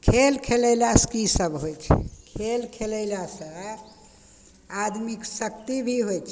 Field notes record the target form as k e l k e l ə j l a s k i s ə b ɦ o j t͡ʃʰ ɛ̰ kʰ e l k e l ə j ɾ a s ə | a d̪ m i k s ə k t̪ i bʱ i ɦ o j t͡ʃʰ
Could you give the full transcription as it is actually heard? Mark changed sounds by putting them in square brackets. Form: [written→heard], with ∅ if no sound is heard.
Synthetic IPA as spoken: [k→kʰ] e l [k→kʰ] e l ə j l a s k i s ə b ɦ o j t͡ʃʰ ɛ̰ kʰ e l [k→kʰ] e l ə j [ɾ→l] a s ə | a d̪ m i k s ə k t̪ i bʱ i ɦ o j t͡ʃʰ